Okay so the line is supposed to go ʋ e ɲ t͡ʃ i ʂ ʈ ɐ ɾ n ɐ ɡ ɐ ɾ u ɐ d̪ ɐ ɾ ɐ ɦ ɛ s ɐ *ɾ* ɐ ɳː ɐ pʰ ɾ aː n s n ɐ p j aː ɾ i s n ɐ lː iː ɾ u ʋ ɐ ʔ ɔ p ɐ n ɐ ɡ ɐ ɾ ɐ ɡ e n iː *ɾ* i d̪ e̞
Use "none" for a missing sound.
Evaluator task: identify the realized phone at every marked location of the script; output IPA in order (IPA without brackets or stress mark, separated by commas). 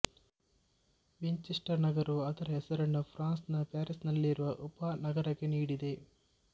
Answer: ɾ, ɽ